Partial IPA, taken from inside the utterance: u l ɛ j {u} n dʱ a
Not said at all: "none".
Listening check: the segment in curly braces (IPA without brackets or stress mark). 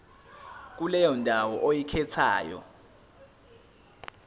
ɔ